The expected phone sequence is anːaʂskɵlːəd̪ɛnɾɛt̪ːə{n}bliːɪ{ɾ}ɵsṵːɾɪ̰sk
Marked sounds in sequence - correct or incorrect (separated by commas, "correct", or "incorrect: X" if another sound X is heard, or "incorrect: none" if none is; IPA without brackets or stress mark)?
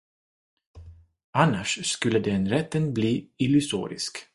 correct, incorrect: l